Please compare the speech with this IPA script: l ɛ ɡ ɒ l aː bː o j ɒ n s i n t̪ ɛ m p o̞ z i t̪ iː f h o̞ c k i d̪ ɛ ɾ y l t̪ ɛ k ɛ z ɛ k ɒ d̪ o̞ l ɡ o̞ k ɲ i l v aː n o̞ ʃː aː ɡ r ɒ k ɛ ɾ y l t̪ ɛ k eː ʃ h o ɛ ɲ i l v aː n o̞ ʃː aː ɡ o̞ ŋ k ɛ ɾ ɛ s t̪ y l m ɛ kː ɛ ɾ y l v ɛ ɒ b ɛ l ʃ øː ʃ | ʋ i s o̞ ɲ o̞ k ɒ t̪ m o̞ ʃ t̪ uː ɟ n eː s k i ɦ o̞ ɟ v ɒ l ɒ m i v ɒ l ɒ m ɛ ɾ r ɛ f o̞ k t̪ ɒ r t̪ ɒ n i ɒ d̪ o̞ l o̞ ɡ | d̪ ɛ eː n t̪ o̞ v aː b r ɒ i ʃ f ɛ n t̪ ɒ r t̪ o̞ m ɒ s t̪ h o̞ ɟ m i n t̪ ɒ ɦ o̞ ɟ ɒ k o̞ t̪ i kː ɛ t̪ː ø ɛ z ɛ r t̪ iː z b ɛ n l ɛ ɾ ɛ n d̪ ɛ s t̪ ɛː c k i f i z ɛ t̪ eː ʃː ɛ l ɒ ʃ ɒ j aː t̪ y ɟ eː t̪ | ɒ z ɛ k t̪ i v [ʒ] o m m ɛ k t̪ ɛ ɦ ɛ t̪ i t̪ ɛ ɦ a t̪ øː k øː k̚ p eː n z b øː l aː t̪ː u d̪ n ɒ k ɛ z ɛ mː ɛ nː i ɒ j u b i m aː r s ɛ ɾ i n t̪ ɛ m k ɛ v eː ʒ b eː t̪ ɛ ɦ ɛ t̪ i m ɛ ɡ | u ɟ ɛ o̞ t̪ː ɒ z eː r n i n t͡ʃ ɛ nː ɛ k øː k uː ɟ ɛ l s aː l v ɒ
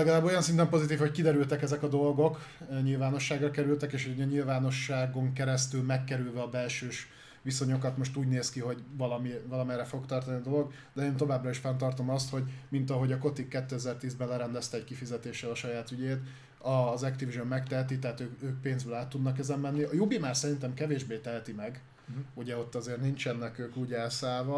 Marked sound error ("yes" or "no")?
no